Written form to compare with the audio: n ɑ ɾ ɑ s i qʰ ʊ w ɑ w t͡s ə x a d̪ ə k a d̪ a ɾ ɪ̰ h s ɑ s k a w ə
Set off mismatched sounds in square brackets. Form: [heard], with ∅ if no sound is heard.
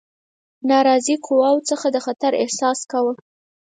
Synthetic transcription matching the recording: n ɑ ɾ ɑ [z] i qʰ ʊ w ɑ w t͡s ə x a d̪ ə [x] a [t̪] a ɾ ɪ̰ h s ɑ s k a w ə